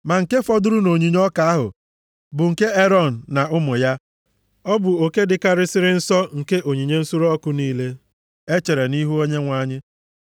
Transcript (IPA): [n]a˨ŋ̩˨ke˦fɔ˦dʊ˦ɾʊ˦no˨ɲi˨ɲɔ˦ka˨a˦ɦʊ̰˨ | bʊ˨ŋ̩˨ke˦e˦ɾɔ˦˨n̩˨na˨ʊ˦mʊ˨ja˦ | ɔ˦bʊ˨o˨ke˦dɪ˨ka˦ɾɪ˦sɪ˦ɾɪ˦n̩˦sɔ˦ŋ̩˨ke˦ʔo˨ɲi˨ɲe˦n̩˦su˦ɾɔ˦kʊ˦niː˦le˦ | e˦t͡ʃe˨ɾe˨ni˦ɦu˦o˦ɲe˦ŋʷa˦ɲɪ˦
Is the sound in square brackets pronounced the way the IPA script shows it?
no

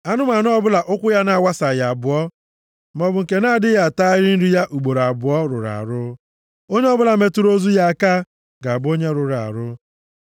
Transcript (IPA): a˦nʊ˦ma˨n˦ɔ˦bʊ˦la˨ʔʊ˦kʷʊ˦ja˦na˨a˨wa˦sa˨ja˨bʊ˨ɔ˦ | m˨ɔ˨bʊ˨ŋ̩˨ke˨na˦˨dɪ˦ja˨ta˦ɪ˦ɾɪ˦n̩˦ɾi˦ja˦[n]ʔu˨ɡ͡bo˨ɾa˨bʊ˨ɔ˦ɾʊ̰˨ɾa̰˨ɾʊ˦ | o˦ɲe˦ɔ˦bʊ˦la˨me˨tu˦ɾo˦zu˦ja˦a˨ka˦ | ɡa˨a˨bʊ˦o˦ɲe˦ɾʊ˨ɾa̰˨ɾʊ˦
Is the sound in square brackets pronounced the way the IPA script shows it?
no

